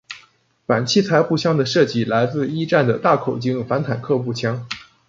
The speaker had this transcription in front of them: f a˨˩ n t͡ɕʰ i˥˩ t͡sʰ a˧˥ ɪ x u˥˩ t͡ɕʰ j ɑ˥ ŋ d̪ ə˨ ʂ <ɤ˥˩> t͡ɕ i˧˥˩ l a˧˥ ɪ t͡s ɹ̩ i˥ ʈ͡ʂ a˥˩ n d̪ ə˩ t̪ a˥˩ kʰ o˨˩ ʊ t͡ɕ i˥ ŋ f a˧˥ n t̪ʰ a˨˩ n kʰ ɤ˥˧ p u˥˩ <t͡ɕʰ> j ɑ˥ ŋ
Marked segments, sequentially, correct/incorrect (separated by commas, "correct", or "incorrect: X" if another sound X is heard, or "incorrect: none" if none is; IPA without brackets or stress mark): correct, correct